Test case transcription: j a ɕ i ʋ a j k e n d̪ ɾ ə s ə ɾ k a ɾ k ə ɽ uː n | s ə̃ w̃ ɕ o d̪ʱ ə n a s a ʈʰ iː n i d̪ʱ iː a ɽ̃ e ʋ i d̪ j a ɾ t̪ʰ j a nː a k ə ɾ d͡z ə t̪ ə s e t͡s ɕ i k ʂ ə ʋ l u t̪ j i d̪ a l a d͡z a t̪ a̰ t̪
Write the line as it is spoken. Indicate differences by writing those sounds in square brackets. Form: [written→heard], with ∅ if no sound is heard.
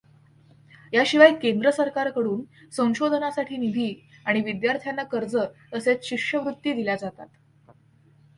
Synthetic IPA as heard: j a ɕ i ʋ a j k e n d̪ ɾ ə s ə ɾ k a ɾ k ə ɽ uː n | s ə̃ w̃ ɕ o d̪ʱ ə n a s a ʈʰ iː n i d̪ʱ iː a ɽ̃ [e→i] ʋ i d̪ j a ɾ t̪ʰ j a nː a k ə ɾ d͡z ə t̪ ə s e t͡s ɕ i k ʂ ə ʋ [l→ɾ] u t̪ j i d̪ [a→i] l a d͡z a t̪ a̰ t̪